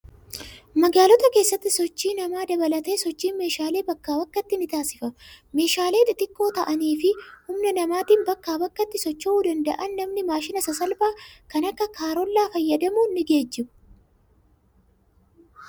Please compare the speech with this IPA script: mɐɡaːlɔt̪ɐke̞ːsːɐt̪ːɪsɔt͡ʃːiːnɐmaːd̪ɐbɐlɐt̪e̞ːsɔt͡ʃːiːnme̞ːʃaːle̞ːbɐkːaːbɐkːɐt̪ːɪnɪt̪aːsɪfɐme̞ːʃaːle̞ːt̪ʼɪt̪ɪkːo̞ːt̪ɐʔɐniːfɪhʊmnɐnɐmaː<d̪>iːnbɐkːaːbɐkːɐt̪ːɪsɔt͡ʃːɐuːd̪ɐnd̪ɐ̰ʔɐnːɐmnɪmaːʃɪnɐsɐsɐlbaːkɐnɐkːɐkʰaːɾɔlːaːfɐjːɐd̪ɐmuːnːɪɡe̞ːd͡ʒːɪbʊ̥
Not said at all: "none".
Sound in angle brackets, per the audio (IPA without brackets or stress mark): t̪